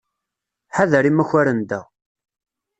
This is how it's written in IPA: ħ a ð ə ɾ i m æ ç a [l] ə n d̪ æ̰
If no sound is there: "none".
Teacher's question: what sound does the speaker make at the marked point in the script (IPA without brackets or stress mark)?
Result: ɾ